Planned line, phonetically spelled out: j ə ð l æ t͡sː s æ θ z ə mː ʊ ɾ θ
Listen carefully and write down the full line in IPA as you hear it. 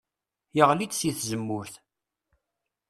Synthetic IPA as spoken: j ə ʁ l i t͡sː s i θ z ə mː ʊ ɾ θ